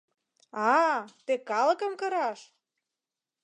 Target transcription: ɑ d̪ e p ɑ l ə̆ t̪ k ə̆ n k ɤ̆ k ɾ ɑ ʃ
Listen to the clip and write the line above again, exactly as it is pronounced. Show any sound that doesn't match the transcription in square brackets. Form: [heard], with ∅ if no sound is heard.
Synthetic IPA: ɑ [t̪] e [k] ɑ l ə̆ [∅] k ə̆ [m] k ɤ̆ [∅] ɾ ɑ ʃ